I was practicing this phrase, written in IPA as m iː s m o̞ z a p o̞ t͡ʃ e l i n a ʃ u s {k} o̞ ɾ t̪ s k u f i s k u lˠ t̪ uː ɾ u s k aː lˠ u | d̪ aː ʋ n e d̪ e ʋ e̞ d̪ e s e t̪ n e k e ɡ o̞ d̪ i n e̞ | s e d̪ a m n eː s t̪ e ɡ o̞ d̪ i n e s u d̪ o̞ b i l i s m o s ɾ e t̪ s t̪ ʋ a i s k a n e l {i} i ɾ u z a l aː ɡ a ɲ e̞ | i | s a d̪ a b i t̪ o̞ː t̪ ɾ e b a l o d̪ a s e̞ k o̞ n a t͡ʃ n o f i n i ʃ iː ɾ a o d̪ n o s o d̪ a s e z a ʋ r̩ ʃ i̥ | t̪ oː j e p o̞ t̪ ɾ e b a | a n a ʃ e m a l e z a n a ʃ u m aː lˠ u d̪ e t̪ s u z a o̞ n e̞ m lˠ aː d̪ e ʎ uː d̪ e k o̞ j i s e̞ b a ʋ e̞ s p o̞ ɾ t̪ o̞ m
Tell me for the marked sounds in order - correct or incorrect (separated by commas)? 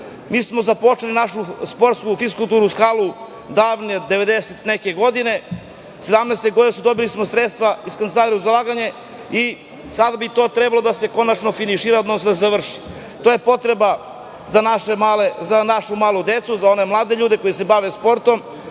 incorrect, incorrect